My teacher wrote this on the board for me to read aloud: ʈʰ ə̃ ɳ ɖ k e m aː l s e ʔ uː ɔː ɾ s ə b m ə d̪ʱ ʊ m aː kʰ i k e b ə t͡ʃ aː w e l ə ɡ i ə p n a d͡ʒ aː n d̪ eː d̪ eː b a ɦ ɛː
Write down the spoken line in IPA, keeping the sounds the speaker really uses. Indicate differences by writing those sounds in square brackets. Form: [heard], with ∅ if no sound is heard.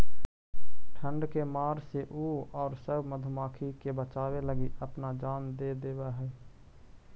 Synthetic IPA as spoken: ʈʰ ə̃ ɳ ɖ k e m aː [ɾ] s e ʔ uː ɔː ɾ s ə b m ə d̪ʱ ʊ m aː kʰ i k e b ə t͡ʃ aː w e l ə ɡ i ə p n a d͡ʒ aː n d̪ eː d̪ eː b a ɦ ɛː